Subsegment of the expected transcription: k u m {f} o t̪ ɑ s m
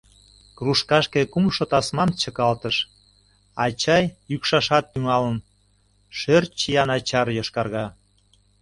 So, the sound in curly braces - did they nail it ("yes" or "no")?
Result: no